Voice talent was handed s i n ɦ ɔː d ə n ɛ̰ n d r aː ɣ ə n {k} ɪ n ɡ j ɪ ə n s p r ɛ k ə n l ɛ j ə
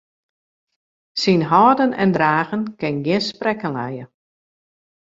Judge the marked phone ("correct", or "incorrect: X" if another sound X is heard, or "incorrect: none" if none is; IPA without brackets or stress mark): correct